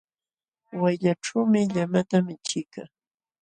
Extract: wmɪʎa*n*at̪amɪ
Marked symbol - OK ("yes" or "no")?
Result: no